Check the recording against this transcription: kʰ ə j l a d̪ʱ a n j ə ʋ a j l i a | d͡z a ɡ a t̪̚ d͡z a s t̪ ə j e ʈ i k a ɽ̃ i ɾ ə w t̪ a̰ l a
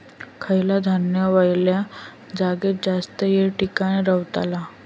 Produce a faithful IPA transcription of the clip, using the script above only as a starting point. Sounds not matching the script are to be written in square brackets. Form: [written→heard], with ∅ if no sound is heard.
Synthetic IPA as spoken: kʰ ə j l a d̪ʱ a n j ə ʋ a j l [i→j] a | d͡z a ɡ [a→e] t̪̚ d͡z a s t̪ ə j e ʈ i k a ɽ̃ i ɾ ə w t̪ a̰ l a

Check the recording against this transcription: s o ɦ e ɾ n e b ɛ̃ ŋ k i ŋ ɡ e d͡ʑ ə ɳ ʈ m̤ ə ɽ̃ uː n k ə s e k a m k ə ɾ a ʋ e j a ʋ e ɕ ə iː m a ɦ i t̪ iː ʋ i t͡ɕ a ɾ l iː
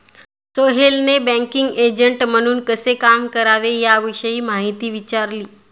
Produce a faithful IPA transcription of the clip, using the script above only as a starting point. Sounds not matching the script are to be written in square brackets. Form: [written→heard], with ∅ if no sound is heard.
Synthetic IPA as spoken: s o ɦ e [ɾ→l] n e b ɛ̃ ŋ k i ŋ ɡ e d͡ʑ ə ɳ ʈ m̤ ə ɽ̃ uː n k ə s e k a m k ə ɾ a ʋ e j a ʋ [e→i] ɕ ə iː m a ɦ i t̪ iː ʋ i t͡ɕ a ɾ l iː

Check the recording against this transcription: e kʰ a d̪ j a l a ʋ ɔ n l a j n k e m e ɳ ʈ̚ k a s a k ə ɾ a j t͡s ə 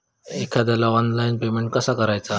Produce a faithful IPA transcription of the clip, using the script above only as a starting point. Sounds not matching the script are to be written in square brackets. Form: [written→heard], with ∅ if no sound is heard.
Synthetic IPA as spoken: e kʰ a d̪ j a l a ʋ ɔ n l a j n [k→p] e m e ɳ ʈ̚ k [a→ə] s a k ə ɾ a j t͡s [ə→a]

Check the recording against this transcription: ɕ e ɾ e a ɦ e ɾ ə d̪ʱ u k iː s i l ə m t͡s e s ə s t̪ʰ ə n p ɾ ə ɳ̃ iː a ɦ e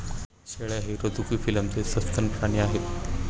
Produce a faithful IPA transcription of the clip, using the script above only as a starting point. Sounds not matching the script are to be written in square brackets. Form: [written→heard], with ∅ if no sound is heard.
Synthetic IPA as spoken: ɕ e [ɾ→ɭ] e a ɦ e ɾ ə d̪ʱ u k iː [s→f] i l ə m t͡s e s ə s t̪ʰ ə n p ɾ [ə→a] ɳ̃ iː a ɦ e

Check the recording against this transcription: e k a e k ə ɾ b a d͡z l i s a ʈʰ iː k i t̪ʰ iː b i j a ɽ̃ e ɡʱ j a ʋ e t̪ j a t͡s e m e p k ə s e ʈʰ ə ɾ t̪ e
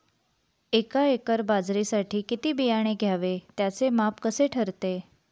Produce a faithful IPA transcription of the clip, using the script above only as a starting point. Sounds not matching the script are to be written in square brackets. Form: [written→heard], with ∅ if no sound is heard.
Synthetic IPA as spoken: e k a e k ə ɾ b a d͡z [l→ɾ] i s a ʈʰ iː k i [t̪ʰ→t̪] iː b i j a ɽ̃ e ɡʱ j a ʋ e t̪ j a t͡s e m [e→a] p k ə s e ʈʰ ə ɾ t̪ e

